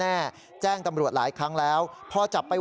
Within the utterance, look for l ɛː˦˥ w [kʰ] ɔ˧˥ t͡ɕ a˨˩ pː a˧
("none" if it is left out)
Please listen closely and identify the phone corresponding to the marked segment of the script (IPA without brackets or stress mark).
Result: pʰ